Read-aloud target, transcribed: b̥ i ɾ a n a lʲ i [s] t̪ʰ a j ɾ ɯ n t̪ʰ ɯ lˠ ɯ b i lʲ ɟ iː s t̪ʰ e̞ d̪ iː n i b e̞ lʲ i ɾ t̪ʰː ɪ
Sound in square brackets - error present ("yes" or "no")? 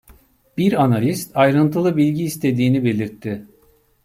no